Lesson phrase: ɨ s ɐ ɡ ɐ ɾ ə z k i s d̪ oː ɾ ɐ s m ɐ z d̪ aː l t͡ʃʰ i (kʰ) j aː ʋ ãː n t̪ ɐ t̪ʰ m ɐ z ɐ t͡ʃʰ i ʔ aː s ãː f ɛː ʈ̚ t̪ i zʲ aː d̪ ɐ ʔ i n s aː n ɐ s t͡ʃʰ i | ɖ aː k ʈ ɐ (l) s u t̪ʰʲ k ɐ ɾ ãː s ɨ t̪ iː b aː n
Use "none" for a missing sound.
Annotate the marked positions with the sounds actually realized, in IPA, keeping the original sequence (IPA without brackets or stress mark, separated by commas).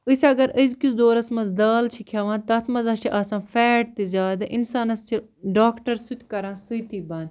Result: kʰ, ɾ